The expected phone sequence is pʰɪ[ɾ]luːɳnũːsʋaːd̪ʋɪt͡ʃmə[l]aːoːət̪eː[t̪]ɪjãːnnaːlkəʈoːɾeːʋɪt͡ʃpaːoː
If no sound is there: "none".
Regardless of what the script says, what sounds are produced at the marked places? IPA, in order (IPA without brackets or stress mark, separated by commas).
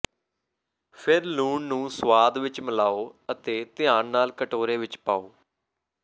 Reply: ɾ, l, t̪